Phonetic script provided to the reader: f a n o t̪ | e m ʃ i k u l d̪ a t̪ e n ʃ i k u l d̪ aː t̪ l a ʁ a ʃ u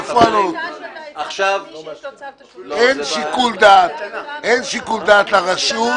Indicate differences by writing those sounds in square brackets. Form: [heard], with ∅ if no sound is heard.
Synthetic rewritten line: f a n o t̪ | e [n] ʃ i k u l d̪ a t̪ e n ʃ i k u l d̪ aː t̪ l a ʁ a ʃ u